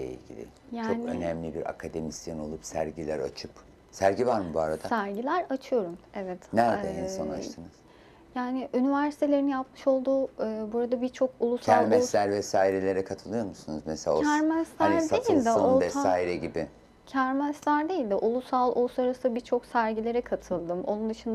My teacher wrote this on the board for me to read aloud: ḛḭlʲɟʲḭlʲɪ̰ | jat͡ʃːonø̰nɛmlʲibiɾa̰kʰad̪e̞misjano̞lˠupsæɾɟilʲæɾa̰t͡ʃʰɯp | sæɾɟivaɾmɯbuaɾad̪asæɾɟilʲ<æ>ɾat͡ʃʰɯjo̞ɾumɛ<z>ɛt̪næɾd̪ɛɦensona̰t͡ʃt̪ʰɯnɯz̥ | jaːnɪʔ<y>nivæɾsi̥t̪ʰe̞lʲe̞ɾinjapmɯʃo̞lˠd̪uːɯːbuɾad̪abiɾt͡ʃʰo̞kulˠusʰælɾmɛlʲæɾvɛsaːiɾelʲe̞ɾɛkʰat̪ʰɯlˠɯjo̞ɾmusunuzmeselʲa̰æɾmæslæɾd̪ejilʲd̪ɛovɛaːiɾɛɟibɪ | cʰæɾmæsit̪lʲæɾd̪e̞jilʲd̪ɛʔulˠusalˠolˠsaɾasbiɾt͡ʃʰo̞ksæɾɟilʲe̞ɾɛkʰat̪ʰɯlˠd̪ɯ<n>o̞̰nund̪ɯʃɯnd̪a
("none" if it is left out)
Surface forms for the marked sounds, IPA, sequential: æ, v, y, m

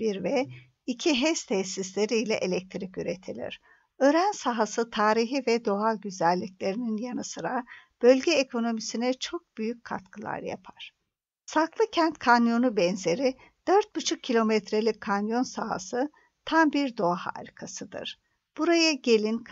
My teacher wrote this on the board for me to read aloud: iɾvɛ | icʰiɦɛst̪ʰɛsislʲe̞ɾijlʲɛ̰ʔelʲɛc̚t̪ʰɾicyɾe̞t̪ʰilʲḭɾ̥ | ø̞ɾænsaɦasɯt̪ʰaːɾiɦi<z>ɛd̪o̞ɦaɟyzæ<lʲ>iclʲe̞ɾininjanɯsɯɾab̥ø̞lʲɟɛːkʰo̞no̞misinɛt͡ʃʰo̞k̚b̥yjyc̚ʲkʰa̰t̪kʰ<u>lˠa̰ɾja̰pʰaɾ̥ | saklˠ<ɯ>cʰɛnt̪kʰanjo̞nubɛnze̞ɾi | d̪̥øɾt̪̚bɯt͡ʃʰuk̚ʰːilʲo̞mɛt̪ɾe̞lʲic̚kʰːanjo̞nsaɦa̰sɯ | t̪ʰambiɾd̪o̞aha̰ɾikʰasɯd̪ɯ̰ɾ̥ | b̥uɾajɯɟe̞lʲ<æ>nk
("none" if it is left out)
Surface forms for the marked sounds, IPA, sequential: v, lʲː, ɯ, ɯ, i

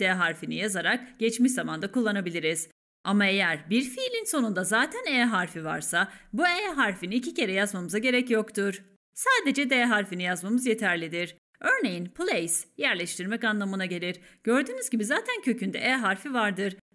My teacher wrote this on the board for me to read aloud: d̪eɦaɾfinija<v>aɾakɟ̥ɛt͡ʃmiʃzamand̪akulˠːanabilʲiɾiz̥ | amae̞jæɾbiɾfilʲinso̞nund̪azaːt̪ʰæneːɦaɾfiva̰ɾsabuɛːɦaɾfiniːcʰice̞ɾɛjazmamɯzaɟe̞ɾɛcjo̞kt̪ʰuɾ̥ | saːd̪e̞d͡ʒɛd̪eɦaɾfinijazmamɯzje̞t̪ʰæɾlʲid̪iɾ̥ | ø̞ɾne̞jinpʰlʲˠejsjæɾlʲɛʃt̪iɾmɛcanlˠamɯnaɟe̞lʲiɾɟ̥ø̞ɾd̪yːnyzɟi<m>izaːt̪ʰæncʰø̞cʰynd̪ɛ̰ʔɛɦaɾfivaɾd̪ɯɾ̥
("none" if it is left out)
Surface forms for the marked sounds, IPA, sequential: z, b

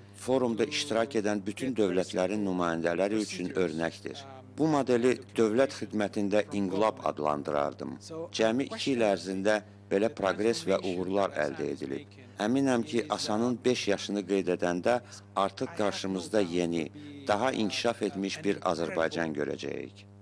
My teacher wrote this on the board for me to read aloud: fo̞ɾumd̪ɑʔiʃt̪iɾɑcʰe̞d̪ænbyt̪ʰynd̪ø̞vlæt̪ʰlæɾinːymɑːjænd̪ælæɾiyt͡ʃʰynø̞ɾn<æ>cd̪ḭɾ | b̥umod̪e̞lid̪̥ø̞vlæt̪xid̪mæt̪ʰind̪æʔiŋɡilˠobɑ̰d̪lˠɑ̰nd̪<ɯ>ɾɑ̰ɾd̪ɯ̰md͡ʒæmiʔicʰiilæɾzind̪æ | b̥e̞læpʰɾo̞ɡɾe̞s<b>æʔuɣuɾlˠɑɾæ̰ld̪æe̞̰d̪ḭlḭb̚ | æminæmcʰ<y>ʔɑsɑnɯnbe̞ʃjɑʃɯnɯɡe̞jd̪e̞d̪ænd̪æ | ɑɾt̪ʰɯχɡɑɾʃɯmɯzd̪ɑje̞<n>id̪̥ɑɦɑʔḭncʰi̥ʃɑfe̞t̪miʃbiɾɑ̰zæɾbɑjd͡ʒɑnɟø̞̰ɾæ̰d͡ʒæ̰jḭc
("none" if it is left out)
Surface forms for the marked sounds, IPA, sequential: æ, ɯ, v, i, n

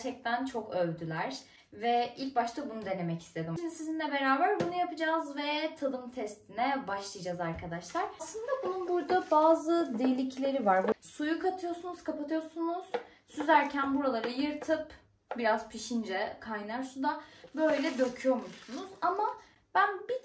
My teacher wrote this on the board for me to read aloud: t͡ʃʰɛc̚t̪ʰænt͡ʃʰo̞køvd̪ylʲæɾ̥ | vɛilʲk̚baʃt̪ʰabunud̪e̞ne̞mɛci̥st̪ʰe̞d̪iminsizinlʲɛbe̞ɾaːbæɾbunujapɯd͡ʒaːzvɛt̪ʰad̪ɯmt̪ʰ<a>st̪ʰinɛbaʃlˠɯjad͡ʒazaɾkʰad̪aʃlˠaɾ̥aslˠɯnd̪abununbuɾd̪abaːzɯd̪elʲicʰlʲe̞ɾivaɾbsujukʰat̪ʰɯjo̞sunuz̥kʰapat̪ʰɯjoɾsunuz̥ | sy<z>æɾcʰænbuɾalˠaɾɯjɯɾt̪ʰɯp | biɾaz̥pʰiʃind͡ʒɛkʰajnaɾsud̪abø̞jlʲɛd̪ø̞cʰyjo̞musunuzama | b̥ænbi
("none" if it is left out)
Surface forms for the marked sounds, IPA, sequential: ɛ, z

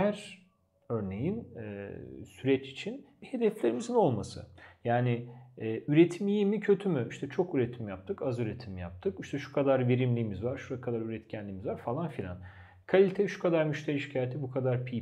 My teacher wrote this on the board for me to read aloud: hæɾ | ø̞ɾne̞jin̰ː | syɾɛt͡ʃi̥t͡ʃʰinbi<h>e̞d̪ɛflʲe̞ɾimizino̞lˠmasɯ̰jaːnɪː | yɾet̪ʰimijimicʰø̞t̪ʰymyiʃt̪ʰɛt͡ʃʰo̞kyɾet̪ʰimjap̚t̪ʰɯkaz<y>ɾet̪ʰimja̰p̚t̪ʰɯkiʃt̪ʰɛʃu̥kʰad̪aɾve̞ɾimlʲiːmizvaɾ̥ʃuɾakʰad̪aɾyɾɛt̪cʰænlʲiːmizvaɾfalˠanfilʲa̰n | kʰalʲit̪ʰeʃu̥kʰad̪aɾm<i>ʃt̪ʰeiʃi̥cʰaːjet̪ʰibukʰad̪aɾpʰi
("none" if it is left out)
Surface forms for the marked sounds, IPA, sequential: h, y, y

